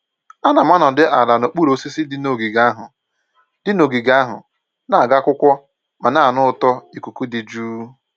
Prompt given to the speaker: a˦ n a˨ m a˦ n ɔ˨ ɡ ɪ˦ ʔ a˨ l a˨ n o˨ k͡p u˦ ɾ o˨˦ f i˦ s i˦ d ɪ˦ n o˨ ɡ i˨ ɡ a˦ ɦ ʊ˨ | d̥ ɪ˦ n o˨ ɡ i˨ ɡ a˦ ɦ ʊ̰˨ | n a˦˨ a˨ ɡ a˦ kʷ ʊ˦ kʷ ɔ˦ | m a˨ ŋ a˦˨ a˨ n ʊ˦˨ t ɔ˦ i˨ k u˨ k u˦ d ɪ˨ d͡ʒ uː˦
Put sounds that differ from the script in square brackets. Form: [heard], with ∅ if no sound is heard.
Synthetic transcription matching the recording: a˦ n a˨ m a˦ n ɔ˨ [d] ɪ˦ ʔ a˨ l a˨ n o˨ k͡p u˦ ɾ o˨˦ [s] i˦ s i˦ d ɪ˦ n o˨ ɡ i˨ ɡ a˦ ɦ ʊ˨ | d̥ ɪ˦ n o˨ ɡ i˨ ɡ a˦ ɦ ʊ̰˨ | n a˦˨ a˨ ɡ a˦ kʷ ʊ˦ kʷ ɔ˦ | m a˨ [n] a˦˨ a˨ n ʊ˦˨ t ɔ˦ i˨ k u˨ k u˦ d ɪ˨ d͡ʒ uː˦